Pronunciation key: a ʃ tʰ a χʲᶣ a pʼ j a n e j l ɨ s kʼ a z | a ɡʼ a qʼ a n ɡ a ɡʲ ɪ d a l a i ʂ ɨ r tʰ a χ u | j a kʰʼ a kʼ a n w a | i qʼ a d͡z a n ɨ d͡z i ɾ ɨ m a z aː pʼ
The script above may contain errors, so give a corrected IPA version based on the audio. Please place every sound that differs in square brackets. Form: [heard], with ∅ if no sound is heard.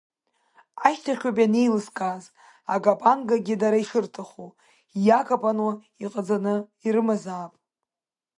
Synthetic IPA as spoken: a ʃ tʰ a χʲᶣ a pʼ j a n e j l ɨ s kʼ a z | a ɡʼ a [pʼ] a n ɡ a ɡʲ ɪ d a [ɾ] a i ʂ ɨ r tʰ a χ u | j a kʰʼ a [pʼ] a n w a | i qʼ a d͡z a n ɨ [∅] i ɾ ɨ m a z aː pʼ